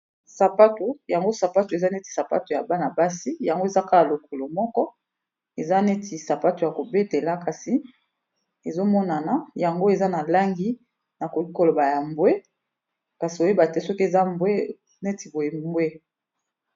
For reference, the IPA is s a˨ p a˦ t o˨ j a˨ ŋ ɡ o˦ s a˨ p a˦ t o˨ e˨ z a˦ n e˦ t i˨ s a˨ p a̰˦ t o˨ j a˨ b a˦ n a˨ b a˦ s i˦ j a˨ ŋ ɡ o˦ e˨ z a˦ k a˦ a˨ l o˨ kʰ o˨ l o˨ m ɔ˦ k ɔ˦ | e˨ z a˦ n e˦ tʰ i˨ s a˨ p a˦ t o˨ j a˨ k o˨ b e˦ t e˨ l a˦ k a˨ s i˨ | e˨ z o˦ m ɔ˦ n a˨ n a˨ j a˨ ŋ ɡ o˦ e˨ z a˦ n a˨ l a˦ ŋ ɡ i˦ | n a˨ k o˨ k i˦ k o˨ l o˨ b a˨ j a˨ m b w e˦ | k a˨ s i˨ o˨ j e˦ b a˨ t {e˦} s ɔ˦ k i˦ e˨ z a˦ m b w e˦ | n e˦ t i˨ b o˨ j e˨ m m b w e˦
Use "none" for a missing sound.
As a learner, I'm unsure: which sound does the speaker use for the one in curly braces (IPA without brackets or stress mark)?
ɛ˦